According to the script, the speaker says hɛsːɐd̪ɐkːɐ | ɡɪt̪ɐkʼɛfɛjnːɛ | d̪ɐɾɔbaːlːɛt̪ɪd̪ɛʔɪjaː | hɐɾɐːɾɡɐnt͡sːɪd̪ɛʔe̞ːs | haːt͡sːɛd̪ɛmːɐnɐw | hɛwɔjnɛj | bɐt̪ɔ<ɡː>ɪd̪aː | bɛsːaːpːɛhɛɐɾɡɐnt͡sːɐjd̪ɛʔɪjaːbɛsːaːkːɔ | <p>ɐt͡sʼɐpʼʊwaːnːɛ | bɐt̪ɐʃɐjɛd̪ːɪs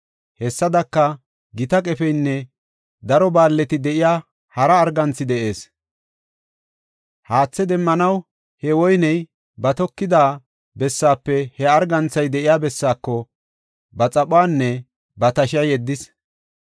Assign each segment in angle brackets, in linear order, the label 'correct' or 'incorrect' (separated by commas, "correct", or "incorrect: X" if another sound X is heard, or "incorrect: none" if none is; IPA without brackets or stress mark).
incorrect: kː, incorrect: b